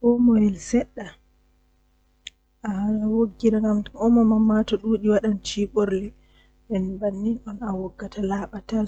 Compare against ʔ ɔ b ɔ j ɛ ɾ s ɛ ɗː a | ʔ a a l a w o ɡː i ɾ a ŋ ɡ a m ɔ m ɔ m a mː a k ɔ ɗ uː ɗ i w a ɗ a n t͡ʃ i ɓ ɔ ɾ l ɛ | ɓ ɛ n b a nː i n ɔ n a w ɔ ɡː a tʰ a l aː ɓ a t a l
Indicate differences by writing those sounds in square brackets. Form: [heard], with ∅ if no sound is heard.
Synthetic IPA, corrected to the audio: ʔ ɔ [m] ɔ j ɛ [l] s ɛ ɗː a | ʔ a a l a w o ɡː i ɾ a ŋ ɡ a m ɔ m ɔ m a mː a [t] ɔ ɗ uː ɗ i w a ɗ a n t͡ʃ i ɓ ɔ ɾ l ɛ | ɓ ɛ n b a nː i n ɔ n a w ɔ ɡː a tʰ a l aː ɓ a t a l